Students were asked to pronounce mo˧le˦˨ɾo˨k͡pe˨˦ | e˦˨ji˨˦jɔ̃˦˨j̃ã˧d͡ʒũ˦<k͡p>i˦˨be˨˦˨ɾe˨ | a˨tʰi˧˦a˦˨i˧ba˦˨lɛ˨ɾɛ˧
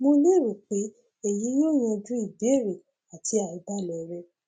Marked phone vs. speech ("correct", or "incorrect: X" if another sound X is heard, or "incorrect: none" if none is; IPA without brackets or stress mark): incorrect: none